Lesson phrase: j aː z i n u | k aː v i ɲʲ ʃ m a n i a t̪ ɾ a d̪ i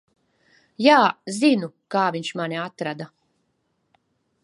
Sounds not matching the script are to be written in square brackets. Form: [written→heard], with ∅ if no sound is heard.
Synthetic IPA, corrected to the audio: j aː z i n u | k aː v i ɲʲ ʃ m a n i a t̪ ɾ a d̪ [i→a]